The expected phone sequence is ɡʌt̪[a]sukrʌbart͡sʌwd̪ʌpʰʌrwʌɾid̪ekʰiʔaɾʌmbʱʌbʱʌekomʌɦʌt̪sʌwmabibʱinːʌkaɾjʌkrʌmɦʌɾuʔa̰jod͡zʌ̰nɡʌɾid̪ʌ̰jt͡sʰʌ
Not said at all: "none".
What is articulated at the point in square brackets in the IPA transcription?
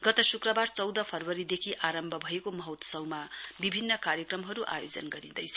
ʌ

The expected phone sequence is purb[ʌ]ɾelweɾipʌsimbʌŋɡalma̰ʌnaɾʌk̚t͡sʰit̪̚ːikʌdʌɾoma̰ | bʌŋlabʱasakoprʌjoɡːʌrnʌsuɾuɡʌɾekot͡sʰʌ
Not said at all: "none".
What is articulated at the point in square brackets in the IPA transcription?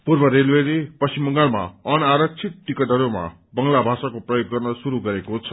ʌ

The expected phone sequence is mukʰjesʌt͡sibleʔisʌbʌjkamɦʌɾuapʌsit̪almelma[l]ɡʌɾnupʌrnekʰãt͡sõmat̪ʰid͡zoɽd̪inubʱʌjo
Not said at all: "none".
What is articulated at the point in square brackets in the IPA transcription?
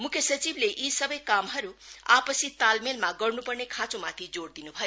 none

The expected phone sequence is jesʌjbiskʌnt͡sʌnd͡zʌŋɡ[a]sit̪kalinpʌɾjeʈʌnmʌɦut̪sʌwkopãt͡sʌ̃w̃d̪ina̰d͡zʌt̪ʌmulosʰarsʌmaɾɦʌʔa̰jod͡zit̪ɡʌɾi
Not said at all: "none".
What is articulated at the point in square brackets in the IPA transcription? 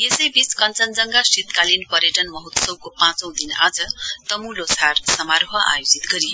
a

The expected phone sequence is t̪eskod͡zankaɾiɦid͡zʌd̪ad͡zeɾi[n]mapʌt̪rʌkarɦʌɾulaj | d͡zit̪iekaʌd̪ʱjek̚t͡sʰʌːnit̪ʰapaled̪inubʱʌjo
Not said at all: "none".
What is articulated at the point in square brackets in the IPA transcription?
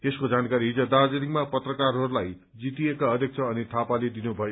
ŋ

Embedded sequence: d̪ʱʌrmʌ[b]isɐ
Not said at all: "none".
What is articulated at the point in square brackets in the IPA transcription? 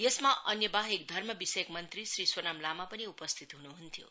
b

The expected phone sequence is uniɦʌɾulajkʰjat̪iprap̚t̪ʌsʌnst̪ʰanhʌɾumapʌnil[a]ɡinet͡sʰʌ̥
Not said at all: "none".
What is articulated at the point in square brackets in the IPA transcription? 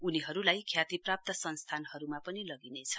ʌ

